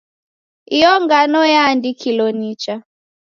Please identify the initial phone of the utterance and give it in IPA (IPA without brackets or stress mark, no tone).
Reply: i